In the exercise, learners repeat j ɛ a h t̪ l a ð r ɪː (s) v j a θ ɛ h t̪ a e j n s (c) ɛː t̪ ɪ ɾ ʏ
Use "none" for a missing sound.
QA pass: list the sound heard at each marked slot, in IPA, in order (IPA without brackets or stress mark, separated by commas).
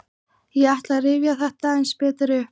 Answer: none, p